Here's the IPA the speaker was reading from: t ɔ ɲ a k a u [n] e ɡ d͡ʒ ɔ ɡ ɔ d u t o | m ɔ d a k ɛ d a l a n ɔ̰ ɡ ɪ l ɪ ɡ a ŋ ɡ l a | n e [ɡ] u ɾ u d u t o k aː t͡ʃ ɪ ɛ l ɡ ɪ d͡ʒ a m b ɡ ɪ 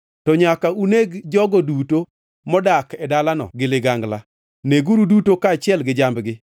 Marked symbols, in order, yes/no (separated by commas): yes, yes